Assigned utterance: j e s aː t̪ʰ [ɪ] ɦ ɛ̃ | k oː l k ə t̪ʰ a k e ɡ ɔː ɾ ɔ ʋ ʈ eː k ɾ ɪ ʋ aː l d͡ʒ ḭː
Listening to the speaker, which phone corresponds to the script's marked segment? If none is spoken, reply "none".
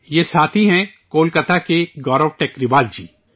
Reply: i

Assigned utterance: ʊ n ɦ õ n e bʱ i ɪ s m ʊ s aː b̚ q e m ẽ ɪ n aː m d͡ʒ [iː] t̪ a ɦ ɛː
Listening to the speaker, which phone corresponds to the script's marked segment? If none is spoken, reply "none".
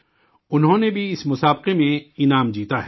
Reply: iː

